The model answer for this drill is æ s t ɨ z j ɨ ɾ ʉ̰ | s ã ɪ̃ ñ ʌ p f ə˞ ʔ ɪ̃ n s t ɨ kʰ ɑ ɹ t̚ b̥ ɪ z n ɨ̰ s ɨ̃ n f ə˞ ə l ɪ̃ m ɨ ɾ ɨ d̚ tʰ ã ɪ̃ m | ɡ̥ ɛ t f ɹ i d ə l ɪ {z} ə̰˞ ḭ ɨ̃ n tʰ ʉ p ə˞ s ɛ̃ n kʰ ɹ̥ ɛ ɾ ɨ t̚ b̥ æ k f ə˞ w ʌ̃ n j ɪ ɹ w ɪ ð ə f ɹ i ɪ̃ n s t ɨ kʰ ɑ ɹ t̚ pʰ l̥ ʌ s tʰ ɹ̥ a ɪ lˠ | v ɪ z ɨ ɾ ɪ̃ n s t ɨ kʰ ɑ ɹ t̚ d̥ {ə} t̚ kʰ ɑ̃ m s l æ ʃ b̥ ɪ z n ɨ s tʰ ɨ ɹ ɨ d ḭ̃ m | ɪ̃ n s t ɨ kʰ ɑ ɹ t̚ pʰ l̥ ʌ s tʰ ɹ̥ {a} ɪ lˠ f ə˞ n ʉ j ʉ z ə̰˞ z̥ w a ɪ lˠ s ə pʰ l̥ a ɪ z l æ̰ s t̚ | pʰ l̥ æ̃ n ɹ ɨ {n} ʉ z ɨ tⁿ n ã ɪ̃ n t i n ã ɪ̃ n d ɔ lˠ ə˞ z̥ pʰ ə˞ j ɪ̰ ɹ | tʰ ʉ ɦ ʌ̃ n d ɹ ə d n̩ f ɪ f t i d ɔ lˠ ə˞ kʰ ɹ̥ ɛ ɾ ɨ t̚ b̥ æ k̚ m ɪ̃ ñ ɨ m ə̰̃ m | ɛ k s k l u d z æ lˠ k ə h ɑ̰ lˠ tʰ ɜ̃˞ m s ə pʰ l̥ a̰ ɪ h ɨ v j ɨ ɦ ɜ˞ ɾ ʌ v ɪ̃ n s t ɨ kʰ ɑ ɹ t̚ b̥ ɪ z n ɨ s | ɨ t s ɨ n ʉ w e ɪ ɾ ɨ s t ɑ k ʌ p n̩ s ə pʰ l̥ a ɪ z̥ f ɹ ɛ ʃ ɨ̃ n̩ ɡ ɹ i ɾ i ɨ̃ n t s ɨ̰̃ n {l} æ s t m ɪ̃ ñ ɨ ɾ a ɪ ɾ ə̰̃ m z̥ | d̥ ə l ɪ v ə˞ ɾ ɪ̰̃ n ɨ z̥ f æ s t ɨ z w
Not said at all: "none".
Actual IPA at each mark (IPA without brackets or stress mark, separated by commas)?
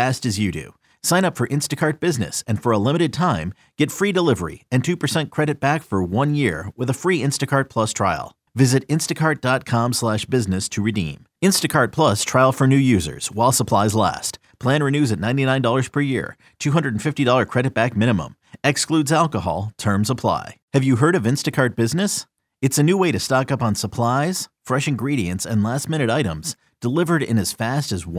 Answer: v, ɑ, a, n, l